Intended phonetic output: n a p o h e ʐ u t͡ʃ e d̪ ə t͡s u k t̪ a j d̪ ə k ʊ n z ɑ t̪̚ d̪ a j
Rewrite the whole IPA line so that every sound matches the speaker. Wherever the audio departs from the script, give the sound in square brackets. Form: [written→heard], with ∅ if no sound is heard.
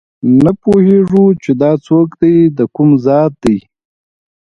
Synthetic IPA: n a p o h e ʐ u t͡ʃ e d̪ [ə→ɑ] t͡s [u→o] k [t̪→d̪] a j d̪ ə k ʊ [n→m] z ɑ t̪̚ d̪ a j